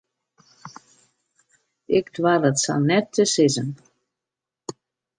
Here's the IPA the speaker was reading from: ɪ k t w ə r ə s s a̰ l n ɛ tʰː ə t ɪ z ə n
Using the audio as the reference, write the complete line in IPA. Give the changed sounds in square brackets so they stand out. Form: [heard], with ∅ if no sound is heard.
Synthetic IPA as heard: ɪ k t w [a] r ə [t] s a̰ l n ɛ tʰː ə [s] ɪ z ə n

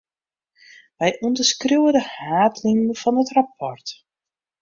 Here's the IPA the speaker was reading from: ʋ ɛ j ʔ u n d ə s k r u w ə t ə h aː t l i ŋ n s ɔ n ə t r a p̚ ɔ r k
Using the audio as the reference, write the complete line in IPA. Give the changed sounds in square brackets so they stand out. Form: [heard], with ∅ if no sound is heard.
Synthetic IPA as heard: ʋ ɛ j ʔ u n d ə s k r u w ə [d] ə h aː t l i ŋ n [f] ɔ n ə t r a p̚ ɔ r [t]

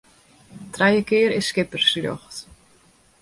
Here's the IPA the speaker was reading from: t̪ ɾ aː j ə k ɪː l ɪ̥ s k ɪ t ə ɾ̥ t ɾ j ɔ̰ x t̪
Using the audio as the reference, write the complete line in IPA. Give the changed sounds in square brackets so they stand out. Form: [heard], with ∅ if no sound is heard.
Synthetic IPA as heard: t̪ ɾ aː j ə k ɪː [ɾ] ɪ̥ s k ɪ [p] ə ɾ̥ [s] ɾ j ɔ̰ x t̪

